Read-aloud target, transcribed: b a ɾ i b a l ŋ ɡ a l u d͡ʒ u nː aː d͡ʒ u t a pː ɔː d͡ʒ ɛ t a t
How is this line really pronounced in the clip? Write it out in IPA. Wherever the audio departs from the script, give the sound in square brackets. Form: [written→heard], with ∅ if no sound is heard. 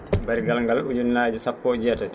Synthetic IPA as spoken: b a ɾ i [b→ɡ] a l ŋ ɡ a l u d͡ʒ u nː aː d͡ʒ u [t→s] a pː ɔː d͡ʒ ɛ t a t